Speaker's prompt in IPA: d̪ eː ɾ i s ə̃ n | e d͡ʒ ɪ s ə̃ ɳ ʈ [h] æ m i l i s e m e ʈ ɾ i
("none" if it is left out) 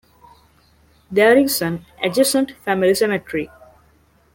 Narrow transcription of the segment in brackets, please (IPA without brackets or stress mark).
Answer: f